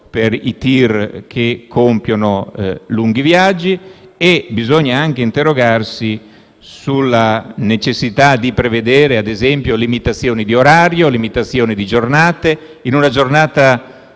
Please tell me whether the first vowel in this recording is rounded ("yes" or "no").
no